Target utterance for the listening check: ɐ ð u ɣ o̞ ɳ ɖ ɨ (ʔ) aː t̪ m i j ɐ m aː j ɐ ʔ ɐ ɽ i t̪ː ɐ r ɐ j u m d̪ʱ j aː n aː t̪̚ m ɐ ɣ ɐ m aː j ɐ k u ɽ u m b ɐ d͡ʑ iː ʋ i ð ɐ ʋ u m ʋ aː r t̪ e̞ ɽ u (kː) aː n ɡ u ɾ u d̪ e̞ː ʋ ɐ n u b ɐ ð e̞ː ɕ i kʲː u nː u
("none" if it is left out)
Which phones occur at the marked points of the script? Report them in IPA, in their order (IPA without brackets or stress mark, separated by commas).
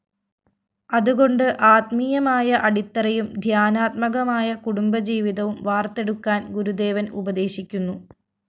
ʔ, kː